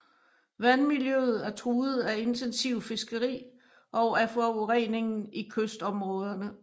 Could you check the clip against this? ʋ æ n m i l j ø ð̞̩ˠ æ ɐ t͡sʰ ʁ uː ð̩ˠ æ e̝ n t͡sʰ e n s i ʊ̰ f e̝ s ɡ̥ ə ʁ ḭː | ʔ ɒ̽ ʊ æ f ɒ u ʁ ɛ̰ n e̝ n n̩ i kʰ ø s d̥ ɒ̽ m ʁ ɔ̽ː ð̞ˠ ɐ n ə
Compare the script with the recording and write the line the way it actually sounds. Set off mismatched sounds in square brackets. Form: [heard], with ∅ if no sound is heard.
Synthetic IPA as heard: ʋ æ n m i l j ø ð̞̩ˠ æ ɐ t͡sʰ ʁ uː ð̩ˠ æ e̝ n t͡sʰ e n s i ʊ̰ f e̝ s ɡ̥ ə ʁ ḭː | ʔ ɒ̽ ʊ æ f ɒ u ʁ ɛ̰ n e̝ [ŋ] n̩ i kʰ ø s d̥ ɒ̽ m ʁ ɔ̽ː ð̞ˠ ɐ n ə